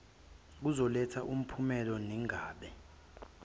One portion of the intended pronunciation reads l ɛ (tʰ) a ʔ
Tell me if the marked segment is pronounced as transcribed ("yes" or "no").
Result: yes